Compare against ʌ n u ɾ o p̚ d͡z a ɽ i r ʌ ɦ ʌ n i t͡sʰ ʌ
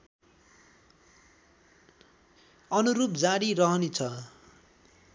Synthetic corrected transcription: ʌ n u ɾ u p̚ d͡z a ɽ i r ʌ ɦ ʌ n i t͡sʰ ʌ